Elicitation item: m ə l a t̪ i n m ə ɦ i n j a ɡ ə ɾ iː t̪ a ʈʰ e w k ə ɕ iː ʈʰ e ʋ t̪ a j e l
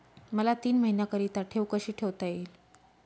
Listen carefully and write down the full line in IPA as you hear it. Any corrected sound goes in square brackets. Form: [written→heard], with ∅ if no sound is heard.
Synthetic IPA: m ə l a t̪ [i→iː] n m ə ɦ i n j a [ɡ→k] ə ɾ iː t̪ a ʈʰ e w k ə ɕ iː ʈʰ e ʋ t̪ a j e l